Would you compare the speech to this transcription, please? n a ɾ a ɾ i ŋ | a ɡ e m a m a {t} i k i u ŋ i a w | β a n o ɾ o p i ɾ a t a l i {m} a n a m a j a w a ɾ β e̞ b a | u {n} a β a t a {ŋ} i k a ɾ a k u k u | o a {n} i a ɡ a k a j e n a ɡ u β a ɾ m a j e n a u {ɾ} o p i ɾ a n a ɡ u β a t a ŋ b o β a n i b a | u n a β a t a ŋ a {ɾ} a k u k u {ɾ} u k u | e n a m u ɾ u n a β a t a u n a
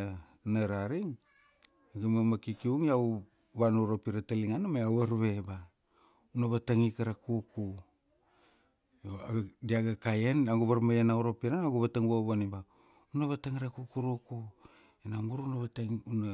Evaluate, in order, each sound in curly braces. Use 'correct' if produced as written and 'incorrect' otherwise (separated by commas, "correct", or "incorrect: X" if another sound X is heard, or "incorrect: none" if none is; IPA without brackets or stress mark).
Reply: incorrect: k, incorrect: ŋ, correct, correct, incorrect: d, correct, correct, correct